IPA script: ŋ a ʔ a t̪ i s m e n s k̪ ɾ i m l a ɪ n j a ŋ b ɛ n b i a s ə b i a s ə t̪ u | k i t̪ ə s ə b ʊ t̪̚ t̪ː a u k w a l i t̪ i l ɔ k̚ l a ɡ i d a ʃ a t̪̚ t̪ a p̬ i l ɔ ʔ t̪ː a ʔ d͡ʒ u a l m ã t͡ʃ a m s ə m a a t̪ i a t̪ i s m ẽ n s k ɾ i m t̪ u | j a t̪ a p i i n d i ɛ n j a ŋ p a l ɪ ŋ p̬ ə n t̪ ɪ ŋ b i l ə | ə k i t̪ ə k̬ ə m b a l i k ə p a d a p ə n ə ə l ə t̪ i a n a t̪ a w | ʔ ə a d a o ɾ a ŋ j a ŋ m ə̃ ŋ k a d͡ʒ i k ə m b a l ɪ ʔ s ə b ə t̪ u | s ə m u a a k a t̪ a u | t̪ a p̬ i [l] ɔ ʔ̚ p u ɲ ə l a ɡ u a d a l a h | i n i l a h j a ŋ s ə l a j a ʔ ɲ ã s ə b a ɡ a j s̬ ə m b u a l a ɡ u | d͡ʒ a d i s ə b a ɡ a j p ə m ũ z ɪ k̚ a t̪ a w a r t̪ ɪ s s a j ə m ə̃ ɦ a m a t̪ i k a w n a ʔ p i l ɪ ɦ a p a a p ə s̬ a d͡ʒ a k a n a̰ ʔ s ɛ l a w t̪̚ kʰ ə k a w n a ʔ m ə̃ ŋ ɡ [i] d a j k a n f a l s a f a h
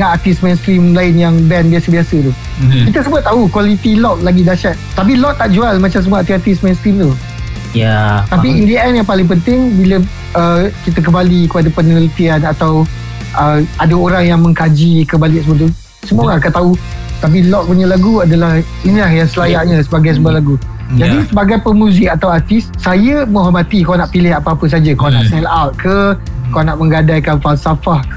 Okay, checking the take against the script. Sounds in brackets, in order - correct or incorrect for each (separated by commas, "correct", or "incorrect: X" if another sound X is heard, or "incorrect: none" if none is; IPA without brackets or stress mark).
correct, incorrect: a